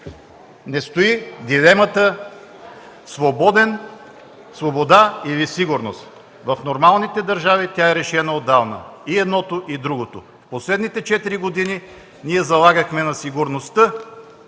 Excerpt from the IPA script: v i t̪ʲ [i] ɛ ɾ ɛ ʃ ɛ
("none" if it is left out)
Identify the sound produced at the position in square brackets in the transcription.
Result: a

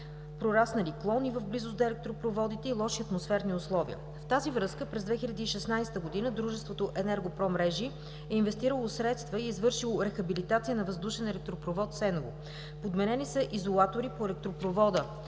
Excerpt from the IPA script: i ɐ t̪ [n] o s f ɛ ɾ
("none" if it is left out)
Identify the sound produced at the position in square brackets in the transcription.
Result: m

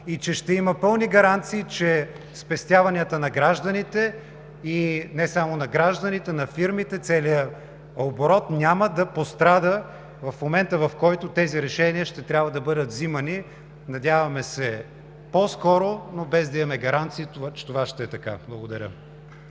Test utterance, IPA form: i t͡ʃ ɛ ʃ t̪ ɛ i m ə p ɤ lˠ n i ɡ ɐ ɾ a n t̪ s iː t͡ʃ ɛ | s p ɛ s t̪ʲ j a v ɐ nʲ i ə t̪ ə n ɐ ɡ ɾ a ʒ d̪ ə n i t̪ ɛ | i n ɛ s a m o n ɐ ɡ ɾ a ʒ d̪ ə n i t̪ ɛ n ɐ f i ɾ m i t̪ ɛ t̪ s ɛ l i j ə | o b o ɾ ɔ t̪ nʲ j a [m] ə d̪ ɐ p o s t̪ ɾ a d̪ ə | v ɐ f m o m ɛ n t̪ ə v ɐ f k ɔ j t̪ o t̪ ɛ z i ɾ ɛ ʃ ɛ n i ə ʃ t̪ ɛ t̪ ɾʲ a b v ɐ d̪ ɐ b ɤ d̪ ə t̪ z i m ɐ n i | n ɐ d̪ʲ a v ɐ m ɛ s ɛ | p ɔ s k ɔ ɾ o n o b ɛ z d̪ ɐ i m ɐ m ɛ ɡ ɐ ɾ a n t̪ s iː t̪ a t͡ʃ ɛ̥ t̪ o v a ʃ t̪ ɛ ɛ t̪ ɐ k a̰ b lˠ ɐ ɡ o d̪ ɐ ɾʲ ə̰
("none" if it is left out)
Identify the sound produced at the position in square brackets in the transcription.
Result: m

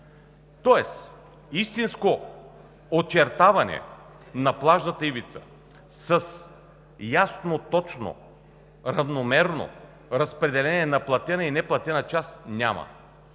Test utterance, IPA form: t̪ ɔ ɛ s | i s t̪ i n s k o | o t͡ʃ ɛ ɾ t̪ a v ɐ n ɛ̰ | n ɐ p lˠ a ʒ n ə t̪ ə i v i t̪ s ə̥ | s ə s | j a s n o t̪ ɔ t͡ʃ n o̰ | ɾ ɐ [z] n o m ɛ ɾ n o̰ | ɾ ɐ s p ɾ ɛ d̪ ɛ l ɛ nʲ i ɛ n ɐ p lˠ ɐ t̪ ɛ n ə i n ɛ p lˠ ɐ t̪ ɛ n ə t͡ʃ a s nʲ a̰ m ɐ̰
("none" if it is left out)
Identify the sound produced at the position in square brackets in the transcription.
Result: v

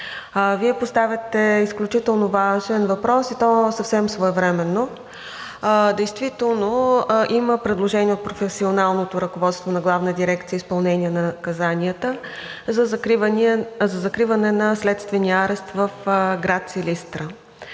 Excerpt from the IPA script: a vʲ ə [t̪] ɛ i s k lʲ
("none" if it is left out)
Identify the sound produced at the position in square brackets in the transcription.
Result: t̪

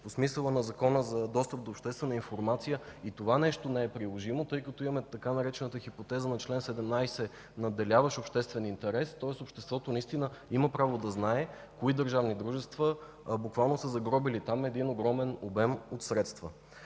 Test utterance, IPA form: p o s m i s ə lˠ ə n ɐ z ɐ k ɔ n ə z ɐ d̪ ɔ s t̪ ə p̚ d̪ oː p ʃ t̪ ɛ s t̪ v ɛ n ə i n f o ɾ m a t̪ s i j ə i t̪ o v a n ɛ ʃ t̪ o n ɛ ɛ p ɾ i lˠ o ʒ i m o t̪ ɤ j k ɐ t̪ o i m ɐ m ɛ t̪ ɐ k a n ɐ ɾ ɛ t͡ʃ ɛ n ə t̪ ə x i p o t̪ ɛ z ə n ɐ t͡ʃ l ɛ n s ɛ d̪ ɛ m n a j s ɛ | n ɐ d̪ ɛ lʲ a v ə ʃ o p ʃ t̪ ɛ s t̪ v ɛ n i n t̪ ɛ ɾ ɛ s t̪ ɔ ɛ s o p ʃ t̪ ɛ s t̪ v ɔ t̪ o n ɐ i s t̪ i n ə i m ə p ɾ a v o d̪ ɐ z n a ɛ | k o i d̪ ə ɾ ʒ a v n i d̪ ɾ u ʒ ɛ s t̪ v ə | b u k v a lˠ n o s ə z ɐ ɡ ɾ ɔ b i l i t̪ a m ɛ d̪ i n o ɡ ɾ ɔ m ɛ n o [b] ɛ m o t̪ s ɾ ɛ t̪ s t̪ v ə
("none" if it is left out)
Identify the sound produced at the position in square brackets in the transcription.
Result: b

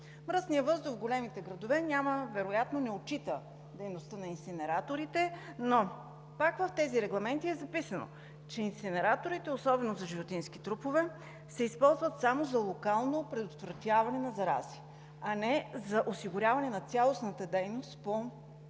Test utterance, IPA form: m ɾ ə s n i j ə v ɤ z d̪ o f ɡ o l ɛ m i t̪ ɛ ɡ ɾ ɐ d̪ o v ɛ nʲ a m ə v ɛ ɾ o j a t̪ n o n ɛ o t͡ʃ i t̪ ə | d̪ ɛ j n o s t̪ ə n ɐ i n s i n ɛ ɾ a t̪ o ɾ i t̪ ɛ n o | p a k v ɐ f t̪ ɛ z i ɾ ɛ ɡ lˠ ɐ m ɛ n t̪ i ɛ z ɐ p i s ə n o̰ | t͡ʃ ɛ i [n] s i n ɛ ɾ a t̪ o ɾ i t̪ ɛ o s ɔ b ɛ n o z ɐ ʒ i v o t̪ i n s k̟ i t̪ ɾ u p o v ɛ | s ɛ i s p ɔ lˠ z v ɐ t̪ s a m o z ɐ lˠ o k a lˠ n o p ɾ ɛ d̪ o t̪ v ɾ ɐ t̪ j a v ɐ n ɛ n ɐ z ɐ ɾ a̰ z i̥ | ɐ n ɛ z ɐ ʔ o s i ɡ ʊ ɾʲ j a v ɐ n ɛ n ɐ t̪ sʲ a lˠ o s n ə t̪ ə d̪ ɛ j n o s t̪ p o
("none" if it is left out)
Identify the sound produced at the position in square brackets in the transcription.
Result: n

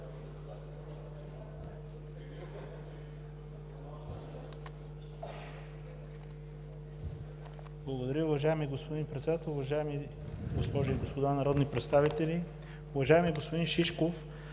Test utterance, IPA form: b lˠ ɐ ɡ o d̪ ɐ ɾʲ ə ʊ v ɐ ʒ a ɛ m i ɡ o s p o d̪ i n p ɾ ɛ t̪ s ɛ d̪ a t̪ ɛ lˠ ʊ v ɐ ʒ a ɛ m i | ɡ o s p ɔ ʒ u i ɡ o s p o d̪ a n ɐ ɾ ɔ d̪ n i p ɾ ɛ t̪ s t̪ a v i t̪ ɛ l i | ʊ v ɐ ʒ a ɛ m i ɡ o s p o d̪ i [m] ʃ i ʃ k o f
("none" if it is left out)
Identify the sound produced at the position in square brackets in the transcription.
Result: n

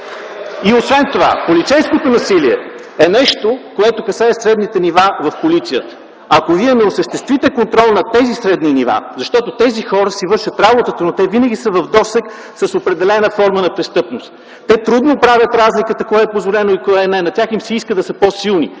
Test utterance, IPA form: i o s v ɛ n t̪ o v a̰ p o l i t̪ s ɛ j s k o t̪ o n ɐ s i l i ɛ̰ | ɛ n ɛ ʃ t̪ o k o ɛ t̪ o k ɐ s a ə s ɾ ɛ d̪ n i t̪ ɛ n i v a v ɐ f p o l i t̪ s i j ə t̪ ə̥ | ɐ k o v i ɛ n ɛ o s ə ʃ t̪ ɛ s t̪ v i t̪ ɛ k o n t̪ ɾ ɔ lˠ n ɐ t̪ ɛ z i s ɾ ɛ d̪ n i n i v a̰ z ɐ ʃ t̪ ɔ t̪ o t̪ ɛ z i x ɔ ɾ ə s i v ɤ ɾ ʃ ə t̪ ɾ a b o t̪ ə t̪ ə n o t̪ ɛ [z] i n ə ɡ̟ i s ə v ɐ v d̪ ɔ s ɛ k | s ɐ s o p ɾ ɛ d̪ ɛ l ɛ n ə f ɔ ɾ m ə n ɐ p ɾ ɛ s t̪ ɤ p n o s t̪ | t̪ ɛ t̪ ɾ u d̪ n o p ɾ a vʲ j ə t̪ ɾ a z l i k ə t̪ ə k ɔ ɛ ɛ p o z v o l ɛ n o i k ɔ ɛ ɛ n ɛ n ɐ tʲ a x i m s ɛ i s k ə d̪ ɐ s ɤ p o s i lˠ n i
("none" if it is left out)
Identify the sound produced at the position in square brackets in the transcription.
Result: v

